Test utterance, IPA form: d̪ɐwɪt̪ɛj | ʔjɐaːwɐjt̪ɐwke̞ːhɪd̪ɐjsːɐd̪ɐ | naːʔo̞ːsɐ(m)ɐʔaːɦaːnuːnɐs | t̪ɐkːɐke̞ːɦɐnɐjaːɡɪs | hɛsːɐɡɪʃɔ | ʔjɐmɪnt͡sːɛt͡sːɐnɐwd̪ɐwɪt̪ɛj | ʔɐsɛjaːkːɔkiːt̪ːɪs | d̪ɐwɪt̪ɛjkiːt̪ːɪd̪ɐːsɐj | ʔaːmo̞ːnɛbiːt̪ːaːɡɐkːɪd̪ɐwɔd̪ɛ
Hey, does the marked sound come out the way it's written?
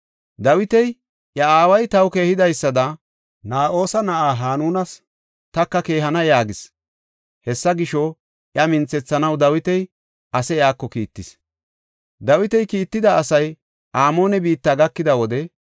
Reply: no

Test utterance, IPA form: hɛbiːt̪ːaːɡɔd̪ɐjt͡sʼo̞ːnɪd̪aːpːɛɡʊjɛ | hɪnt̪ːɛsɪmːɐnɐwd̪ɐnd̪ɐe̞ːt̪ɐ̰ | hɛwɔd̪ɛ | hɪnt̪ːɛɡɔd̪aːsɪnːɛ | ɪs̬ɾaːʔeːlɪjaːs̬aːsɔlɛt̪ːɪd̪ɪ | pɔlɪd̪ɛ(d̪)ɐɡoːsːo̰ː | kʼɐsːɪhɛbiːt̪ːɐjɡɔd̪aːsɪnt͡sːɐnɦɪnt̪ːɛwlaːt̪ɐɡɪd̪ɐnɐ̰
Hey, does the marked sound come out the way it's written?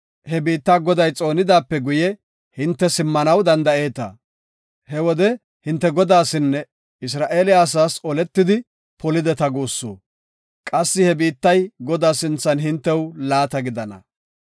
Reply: no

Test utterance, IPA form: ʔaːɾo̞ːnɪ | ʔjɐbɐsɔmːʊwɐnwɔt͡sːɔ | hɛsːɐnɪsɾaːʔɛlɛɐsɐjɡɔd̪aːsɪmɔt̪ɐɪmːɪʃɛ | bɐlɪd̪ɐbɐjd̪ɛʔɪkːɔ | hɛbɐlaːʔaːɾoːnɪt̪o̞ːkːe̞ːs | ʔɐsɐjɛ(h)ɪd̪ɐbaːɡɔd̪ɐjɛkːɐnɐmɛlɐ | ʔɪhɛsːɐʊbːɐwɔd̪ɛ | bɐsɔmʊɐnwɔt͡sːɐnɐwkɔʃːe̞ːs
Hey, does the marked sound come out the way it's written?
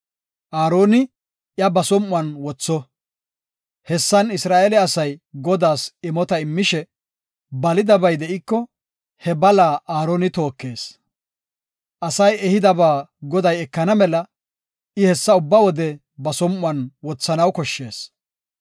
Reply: yes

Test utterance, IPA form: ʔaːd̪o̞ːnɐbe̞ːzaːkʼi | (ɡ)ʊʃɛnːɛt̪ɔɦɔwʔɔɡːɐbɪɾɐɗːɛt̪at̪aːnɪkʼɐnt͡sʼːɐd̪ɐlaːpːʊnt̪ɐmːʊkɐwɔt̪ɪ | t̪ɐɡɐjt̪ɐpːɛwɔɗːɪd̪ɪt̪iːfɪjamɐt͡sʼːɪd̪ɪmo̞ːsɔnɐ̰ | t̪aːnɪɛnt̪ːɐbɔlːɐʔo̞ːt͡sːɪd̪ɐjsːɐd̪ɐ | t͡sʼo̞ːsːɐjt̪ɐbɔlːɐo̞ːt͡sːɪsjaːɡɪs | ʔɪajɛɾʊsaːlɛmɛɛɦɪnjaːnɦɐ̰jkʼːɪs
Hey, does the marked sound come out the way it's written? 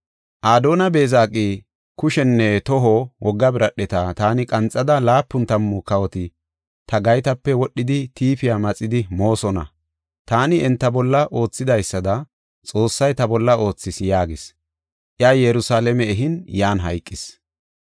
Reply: no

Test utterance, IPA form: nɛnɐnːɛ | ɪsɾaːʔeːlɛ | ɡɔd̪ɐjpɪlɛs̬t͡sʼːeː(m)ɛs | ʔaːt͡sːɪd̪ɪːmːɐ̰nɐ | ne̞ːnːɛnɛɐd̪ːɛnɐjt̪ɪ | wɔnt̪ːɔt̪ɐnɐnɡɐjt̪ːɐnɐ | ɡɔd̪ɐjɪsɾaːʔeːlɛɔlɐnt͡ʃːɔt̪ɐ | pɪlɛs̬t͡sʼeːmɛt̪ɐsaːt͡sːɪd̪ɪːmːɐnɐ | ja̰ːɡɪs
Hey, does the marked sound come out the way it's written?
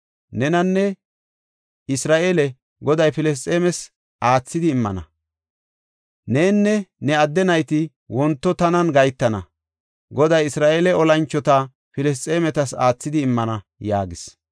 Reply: yes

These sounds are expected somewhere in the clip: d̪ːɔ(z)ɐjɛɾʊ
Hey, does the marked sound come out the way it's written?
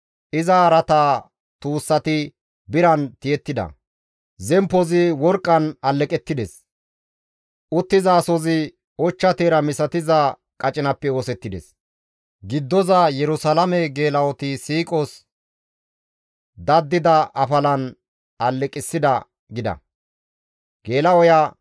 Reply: yes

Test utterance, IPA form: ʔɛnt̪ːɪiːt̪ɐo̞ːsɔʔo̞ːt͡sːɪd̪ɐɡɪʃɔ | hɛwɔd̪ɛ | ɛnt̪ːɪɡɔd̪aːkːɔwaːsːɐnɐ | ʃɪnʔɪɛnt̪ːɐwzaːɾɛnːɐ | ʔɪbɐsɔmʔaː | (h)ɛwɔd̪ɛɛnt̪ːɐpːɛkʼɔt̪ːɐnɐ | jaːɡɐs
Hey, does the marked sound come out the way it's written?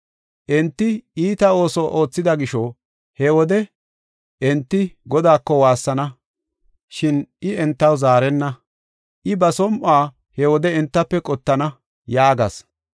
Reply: yes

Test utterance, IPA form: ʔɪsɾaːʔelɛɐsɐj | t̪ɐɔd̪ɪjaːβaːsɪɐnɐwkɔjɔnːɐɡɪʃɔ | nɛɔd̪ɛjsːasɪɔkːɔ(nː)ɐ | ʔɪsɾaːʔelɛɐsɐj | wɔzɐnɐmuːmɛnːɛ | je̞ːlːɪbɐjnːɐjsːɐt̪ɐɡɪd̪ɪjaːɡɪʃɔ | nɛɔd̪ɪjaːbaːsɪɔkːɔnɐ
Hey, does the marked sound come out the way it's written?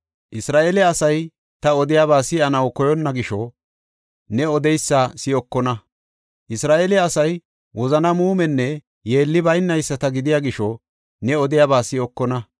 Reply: no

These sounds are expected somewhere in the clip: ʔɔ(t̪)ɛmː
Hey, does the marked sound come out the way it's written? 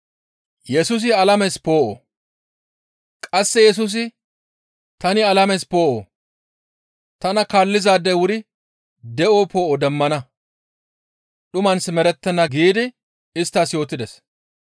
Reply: no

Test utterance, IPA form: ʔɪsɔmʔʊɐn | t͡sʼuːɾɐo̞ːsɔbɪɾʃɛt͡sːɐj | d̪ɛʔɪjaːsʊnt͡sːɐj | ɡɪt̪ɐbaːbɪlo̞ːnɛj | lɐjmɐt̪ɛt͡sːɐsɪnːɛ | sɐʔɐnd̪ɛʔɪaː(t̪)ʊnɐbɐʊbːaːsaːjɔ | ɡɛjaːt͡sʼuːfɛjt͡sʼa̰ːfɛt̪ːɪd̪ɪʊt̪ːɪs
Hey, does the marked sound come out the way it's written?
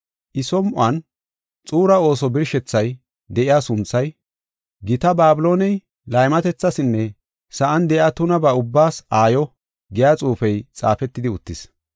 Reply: yes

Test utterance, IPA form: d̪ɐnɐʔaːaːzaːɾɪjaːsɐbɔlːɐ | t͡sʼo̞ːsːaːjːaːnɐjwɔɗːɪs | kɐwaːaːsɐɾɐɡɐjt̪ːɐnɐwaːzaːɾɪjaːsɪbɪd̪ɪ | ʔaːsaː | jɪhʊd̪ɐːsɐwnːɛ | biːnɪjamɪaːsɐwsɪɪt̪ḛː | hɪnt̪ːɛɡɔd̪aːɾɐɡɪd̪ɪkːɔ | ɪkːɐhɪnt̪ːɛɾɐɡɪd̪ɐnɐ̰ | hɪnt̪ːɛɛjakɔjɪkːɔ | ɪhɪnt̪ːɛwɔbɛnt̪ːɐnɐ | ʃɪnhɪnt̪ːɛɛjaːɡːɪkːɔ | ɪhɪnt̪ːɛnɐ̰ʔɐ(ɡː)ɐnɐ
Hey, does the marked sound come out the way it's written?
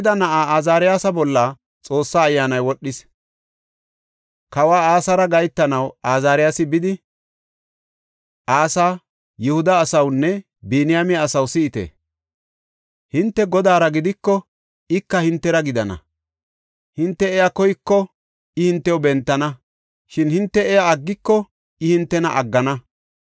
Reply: yes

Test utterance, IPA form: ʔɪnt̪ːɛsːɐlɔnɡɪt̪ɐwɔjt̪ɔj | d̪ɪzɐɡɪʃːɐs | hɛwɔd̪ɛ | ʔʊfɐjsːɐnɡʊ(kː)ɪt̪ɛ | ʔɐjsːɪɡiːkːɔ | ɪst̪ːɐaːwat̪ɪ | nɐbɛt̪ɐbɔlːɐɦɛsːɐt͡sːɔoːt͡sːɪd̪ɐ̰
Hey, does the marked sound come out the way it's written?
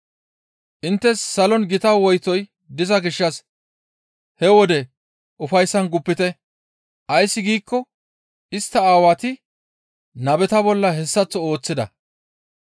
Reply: no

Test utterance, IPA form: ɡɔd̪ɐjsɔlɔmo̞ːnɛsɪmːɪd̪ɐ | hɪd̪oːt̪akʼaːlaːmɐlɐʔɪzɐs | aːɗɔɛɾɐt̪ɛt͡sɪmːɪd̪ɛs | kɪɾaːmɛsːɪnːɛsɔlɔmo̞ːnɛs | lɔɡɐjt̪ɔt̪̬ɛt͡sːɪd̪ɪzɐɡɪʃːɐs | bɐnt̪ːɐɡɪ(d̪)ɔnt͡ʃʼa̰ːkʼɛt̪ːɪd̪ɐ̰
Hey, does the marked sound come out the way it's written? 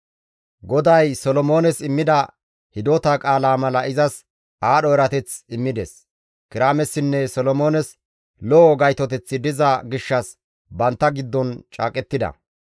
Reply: no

